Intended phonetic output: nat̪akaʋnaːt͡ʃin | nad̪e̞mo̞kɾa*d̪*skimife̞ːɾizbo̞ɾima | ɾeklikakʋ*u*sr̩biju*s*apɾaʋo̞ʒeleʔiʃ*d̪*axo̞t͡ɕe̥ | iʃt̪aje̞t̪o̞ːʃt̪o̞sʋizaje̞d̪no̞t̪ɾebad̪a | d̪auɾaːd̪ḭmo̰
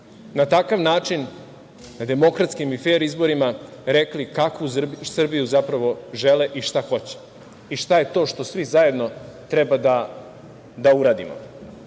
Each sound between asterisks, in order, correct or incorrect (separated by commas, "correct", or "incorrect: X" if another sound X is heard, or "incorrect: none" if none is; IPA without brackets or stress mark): incorrect: t̪, correct, incorrect: z, incorrect: t̪